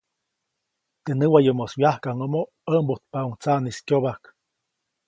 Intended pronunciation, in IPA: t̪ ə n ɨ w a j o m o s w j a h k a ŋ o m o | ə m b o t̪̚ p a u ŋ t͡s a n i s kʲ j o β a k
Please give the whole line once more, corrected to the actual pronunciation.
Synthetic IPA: t̪ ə n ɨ w a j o m o s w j a h k a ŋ o m o | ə m b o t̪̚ p a u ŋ t͡s a n i s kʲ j o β a k